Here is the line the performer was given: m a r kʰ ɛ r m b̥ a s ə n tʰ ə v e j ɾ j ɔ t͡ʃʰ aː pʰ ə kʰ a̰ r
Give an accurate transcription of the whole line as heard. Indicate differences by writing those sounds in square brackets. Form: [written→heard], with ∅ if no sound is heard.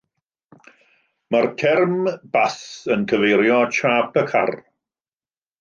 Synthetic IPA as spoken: m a r kʰ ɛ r m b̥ a s ə n [tʰ→kʰ] ə v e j ɾ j ɔ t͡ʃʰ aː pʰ ə kʰ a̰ r